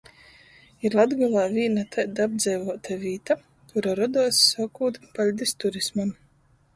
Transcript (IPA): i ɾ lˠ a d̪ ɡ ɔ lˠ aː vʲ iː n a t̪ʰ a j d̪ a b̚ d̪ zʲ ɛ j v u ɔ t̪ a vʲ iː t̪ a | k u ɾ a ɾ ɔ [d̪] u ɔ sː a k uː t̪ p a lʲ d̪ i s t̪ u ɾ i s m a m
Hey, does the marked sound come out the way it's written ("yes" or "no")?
yes